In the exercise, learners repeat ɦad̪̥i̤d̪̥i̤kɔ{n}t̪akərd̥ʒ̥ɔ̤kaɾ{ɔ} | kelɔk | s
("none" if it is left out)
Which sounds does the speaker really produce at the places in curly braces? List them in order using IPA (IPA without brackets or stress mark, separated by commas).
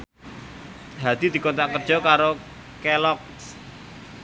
n, o